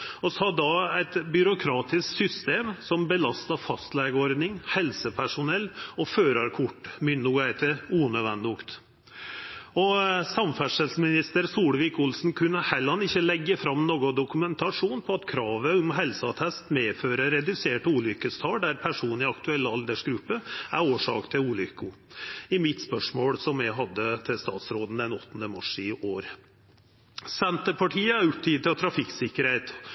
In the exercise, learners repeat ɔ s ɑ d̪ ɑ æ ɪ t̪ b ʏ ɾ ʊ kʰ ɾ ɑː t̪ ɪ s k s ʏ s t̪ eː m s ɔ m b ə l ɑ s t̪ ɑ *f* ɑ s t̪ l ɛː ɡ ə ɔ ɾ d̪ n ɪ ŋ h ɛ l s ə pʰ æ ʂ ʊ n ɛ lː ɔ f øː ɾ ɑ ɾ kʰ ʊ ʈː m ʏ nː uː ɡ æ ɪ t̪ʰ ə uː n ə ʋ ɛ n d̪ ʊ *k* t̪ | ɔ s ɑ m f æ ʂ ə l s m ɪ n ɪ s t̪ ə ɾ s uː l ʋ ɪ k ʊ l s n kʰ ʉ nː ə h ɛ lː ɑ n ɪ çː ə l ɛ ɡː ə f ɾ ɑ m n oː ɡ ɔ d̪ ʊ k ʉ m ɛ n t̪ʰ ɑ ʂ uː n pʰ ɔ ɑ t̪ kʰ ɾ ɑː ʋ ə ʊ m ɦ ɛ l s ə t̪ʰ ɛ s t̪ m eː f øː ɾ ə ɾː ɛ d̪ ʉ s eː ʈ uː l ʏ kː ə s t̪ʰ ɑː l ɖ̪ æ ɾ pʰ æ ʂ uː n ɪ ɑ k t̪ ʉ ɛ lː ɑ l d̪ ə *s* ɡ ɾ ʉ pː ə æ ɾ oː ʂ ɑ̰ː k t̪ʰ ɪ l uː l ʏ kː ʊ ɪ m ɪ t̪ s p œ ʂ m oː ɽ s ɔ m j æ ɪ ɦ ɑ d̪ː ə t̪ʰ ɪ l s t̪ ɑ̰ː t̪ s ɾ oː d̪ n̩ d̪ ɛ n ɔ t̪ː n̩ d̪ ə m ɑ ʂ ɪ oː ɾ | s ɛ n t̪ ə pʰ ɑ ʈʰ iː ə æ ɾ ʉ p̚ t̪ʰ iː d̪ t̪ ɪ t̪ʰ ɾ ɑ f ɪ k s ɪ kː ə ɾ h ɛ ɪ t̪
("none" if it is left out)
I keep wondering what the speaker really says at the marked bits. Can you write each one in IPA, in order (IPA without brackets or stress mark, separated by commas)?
f, k, ʂ